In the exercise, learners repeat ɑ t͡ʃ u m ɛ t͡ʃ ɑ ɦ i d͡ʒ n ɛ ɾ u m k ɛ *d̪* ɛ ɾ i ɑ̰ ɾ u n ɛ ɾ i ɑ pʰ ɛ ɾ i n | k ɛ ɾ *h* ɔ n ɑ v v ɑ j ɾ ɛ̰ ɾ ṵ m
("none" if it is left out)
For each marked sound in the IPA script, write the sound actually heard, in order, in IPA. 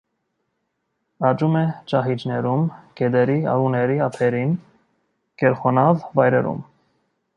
d̪, χ

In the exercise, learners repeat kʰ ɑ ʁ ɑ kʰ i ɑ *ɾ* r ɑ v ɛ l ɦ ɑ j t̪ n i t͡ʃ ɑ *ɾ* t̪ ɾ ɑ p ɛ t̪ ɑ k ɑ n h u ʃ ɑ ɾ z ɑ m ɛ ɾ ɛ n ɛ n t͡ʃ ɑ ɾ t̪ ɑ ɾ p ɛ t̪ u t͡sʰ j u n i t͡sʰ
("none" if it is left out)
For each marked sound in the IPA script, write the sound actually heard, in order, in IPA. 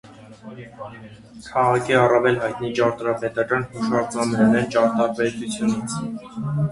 none, ɾ

